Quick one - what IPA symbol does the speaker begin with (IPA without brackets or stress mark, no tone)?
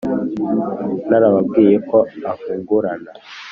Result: n